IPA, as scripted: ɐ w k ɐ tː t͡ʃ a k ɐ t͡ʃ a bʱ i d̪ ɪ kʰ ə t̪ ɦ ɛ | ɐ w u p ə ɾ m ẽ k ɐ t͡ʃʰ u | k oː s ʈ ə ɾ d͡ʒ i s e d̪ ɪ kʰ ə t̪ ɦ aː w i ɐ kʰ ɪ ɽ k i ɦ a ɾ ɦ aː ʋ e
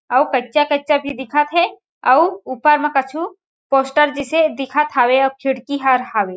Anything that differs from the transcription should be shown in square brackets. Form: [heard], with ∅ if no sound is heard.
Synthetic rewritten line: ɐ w k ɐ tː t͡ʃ a k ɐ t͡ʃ a bʱ i d̪ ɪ kʰ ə t̪ ɦ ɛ | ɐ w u p ə ɾ m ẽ k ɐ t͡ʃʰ u | [p] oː s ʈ ə ɾ d͡ʒ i s e d̪ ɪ kʰ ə t̪ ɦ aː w [e] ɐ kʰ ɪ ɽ k i ɦ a ɾ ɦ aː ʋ e